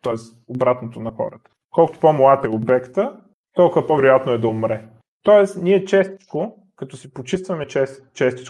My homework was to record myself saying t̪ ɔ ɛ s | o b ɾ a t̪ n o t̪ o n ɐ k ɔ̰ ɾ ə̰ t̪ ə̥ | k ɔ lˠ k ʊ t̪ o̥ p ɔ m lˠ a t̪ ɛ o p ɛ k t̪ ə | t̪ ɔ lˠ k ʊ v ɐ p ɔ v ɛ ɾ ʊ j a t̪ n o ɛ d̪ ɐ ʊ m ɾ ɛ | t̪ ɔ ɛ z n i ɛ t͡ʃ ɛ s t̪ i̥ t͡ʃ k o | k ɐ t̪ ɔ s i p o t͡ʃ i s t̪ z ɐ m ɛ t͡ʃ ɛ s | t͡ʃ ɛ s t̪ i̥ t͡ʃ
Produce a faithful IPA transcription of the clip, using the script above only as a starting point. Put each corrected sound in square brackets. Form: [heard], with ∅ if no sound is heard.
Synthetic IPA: t̪ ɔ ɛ s | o b ɾ a t̪ n o t̪ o n ɐ [x] ɔ̰ ɾ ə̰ t̪ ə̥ | k ɔ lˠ k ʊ t̪ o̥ p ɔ m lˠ a t̪ ɛ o [b] ɛ k t̪ ə | t̪ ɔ lˠ k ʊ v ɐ p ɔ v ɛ ɾ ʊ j a t̪ n o ɛ d̪ ɐ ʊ m ɾ ɛ | t̪ ɔ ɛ [s] n i ɛ t͡ʃ ɛ s t̪ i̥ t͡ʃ k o | k ɐ t̪ ɔ s i p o t͡ʃ i s t̪ [v] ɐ m ɛ t͡ʃ ɛ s | t͡ʃ ɛ s t̪ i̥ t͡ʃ